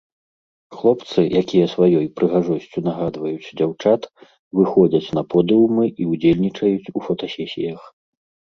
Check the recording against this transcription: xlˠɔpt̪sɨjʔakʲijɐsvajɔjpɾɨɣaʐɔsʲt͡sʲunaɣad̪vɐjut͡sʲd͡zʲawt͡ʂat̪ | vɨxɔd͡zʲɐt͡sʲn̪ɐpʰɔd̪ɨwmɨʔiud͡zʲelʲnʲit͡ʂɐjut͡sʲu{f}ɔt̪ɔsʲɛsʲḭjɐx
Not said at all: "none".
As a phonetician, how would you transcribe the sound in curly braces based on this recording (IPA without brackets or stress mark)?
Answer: f